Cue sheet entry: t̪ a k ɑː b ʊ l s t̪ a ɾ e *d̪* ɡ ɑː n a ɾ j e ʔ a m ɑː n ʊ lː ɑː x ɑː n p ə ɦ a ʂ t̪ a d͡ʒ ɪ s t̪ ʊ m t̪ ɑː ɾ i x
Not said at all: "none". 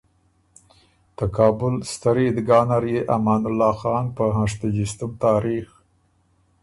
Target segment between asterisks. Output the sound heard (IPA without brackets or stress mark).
d̪